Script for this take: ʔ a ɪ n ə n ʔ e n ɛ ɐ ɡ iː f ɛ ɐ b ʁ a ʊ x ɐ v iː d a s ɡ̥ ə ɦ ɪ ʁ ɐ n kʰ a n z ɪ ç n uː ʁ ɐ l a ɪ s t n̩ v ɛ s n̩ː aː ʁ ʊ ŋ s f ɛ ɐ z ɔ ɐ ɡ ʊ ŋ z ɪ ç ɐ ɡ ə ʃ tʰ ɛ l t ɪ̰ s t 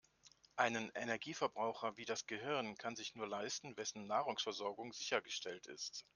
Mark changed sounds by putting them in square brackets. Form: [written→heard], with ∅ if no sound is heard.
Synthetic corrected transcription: ʔ a ɪ n ə n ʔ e n ɛ ɐ ɡ iː f ɛ ɐ b ʁ a ʊ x ɐ v iː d a s ɡ̥ ə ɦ ɪ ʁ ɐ n kʰ a n z ɪ ç n uː [ʁ→∅] ɐ l a ɪ s t n̩ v ɛ s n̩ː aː ʁ ʊ ŋ s f ɛ ɐ z ɔ ɐ ɡ ʊ ŋ z ɪ ç ɐ ɡ ə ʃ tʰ ɛ l t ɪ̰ s t